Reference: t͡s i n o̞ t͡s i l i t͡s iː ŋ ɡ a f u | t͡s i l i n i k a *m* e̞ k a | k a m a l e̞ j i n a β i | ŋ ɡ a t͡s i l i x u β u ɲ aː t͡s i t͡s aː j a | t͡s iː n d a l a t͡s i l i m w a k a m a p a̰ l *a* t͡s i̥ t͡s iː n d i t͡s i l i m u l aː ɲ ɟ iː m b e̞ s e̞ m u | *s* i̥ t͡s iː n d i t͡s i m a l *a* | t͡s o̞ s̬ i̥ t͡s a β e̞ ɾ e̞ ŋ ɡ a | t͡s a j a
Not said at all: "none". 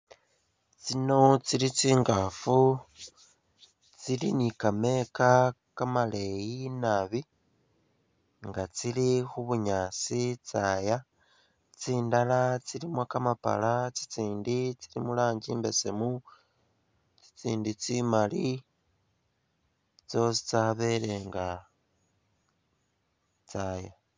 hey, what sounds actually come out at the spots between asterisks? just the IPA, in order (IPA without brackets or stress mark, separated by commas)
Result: m, a, t͡s, i